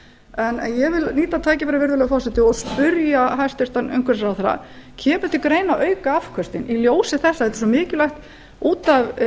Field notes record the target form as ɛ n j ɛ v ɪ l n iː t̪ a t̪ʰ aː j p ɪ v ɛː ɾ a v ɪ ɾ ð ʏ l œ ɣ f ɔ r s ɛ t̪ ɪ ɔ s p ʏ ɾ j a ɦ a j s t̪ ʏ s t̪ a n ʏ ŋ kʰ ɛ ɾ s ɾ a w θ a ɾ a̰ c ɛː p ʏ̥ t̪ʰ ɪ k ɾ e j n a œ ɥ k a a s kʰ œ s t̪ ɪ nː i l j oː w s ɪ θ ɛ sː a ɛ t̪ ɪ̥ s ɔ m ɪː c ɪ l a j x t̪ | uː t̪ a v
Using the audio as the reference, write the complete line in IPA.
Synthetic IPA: ɛ n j ɛ v ɪ l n iː t̪ a t̪ʰ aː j c ɪ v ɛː ɾ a v ɪ ɾ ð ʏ l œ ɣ f ɔ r s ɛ t̪ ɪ ɔ s p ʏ ɾ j a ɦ a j s t̪ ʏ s t̪ a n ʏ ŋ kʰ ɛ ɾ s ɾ a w θ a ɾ a̰ cʰ ɛː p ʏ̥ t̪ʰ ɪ k ɾ e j n a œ ɥ k a a f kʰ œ s t̪ ɪ n i l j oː w s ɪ θ ɛ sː a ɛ t̪ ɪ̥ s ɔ m ɪː c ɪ l a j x t̪ | uː t̪ a v